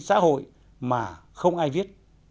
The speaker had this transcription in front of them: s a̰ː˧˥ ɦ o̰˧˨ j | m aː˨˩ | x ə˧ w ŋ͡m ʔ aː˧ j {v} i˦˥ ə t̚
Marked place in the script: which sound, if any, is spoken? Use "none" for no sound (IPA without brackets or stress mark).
v